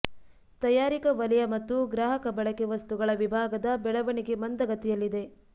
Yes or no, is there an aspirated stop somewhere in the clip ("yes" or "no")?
no